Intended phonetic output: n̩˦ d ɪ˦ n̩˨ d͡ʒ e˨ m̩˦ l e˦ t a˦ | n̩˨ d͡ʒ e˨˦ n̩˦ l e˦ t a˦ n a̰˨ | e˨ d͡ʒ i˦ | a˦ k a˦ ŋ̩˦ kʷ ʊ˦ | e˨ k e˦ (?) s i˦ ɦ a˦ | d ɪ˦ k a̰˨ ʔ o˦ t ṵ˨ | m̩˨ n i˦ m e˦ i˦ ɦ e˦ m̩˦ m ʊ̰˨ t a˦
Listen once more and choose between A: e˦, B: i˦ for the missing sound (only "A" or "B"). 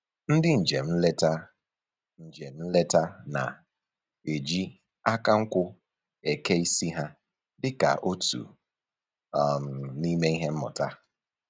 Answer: B